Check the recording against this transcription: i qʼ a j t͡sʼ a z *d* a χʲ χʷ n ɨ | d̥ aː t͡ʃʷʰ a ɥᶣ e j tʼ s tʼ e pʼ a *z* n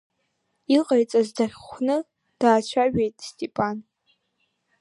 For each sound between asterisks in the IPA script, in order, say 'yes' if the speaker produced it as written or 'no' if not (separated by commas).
yes, no